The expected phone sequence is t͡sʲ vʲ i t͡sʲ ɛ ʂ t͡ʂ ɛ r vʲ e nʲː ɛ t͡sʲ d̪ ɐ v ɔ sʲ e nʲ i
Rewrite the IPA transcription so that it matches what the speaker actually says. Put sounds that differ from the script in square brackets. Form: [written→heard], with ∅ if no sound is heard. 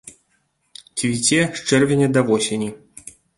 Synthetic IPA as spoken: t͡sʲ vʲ i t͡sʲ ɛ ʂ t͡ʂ ɛ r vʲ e [nʲː→nʲ] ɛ [t͡sʲ→∅] d̪ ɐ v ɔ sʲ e nʲ i